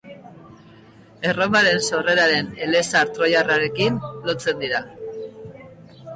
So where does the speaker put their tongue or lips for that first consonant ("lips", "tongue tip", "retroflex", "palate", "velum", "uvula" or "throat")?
tongue tip